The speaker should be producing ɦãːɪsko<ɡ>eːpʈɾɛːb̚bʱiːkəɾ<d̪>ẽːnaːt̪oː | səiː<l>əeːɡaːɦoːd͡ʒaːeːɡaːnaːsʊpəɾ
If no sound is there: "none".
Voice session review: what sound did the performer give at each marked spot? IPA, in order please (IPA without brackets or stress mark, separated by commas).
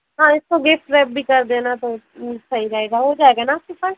ɡ, d̪, ɾ